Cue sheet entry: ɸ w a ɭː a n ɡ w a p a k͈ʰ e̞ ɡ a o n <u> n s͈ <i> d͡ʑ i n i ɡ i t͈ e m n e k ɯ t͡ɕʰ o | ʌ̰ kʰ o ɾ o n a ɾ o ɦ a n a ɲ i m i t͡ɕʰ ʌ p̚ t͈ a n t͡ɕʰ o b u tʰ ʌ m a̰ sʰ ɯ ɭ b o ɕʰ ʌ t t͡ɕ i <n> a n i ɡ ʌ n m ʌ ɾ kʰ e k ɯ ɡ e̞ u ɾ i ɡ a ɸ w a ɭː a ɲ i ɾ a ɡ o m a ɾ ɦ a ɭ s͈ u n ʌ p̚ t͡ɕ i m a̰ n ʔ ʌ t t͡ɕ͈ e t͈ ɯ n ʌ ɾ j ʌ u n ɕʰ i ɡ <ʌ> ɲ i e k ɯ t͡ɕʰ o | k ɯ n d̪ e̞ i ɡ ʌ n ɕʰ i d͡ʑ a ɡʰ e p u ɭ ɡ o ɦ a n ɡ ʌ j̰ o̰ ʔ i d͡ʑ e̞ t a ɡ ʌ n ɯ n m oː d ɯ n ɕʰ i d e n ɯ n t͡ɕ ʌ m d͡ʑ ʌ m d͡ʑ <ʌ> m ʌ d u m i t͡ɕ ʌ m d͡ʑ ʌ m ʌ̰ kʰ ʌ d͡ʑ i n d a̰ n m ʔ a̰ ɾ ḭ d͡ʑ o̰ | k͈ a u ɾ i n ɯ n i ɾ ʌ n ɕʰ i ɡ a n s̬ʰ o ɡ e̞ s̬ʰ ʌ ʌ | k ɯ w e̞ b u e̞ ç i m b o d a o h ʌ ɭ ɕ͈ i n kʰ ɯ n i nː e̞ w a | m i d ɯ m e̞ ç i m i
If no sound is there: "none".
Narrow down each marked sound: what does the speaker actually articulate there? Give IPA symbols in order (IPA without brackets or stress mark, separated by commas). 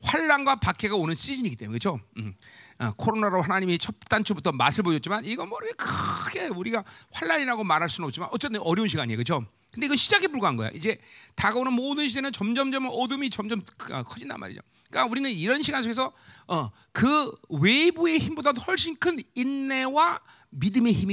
ɯ, i, m, a, ʌ